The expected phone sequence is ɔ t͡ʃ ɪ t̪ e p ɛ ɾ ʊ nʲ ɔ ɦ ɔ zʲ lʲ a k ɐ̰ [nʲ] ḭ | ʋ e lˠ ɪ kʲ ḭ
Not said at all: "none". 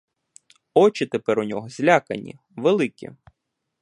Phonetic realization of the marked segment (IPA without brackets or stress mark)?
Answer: nʲ